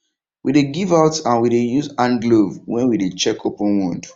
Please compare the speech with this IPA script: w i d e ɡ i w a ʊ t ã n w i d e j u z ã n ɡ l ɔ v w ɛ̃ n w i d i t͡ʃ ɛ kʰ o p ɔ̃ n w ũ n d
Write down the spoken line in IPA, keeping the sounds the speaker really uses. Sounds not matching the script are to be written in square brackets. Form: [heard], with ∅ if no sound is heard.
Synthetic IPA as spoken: w i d e ɡ i [v] a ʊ t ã n w i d e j u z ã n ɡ l [o] v w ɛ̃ n w i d [e] t͡ʃ ɛ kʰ o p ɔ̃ n w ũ n d